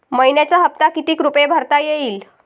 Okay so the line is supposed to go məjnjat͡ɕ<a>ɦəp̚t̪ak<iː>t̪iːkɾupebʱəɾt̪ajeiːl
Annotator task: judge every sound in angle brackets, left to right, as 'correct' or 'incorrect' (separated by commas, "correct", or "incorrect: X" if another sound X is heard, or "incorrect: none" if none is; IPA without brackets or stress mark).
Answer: correct, incorrect: i